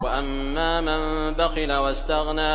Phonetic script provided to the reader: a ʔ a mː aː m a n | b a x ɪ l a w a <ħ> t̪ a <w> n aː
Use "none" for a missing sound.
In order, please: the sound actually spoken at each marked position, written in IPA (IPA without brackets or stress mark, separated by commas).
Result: s, ɣ